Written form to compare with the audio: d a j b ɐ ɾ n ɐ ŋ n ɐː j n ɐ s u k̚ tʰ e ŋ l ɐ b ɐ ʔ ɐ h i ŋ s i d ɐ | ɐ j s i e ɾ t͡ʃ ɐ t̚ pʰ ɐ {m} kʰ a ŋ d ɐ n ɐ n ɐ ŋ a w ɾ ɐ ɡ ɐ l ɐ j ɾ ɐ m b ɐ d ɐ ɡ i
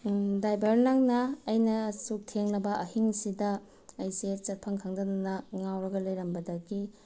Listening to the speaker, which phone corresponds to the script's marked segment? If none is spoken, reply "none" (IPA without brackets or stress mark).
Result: ŋ